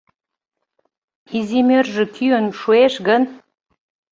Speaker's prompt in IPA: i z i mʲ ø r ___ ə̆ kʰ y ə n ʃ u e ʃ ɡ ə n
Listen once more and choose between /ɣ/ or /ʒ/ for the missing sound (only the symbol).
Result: ʒ